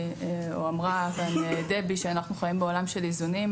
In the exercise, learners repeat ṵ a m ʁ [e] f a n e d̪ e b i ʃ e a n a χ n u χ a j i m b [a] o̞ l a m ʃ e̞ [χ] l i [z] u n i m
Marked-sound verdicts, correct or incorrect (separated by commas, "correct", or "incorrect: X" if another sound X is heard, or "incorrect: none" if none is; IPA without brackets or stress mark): incorrect: a, incorrect: e, incorrect: none, correct